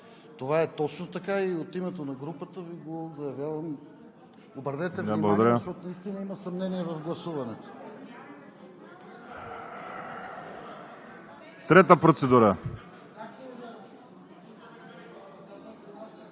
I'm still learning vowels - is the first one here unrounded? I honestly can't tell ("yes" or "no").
no